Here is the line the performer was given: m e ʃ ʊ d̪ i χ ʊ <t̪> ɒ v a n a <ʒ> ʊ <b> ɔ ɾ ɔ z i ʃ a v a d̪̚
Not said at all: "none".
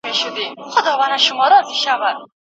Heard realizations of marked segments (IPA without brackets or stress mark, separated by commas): d̪, ʃ, m